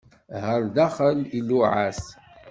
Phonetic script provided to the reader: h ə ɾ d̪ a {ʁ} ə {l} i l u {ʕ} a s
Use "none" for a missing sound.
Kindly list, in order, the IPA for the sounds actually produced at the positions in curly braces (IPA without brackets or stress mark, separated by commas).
χ, l, ʕ